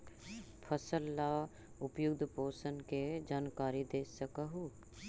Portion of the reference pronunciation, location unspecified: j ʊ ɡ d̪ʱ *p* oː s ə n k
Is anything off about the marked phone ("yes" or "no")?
no